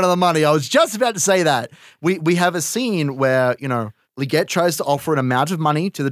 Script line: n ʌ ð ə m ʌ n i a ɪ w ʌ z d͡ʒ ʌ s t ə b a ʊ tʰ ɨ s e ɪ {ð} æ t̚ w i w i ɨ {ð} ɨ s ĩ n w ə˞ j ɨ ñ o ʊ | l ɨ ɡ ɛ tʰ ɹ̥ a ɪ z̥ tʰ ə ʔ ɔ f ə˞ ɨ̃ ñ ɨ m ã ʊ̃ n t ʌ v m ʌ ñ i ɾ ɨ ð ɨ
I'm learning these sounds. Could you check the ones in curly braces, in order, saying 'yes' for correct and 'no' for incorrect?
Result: yes, no

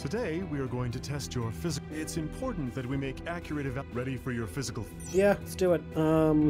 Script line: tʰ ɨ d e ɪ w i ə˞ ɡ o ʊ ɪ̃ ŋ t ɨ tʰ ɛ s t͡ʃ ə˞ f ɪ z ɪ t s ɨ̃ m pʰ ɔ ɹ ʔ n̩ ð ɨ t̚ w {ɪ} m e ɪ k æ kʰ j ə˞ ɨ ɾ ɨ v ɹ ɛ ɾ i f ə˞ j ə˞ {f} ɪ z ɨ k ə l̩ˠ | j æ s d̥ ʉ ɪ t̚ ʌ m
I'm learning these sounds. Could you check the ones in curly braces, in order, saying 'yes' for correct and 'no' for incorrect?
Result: no, yes

